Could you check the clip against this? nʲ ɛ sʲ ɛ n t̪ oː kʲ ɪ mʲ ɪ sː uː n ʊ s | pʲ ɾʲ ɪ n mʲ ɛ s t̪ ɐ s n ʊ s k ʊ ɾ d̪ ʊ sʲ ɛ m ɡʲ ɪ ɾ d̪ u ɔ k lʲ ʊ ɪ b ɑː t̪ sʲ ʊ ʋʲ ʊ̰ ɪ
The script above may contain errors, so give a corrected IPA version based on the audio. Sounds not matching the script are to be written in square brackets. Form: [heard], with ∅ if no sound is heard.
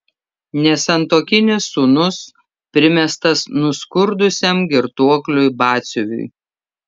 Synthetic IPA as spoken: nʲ ɛ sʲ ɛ n t̪ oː kʲ ɪ [nʲ] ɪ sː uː n ʊ s | pʲ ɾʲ ɪ [∅] mʲ ɛ s t̪ ɐ s n ʊ s k ʊ ɾ d̪ ʊ sʲ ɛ m ɡʲ ɪ ɾ [t̪] u ɔ k lʲ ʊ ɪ b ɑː t̪ sʲ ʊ ʋʲ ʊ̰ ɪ